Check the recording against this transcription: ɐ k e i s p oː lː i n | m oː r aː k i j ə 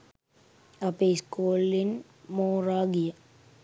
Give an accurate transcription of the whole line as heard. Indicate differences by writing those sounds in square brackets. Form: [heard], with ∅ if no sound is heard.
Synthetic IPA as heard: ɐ [p] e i s [k] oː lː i n | m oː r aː [ɡ] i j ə